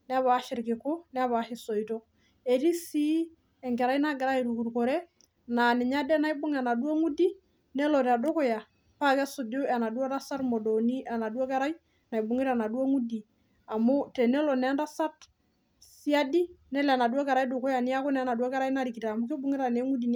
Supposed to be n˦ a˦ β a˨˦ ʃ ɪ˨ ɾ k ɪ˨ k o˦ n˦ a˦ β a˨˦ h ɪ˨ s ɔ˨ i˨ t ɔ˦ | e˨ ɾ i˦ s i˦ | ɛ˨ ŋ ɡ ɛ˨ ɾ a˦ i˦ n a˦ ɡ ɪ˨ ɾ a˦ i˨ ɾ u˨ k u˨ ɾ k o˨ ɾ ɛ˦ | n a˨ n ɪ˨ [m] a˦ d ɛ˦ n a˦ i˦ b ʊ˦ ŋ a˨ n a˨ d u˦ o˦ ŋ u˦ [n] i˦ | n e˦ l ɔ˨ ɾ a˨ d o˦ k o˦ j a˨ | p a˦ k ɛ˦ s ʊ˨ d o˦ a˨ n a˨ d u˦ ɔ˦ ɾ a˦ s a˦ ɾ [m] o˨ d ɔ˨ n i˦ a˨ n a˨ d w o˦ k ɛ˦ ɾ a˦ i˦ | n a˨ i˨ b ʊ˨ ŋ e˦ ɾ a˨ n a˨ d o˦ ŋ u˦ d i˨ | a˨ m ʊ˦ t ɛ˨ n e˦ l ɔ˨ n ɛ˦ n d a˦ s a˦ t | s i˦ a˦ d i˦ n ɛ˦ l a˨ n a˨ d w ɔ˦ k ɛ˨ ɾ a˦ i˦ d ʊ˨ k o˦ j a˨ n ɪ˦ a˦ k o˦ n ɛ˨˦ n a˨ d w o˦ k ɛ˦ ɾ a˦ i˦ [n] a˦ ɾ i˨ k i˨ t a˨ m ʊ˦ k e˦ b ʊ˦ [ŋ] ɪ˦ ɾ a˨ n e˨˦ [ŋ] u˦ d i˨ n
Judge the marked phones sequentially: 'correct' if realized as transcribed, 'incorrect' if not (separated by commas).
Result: incorrect, incorrect, correct, correct, correct, correct